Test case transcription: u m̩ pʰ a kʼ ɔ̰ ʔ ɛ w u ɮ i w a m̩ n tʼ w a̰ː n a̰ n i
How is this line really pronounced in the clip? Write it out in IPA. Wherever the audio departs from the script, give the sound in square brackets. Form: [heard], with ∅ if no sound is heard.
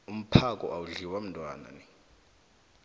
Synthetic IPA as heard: u m̩ pʰ a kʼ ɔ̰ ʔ [a] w u ɮ i w a m̩ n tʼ w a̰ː n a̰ n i